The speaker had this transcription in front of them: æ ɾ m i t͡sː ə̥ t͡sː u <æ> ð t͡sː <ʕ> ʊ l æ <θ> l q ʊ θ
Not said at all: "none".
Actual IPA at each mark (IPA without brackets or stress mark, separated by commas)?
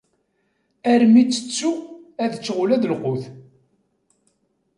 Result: æ, ʁ, ð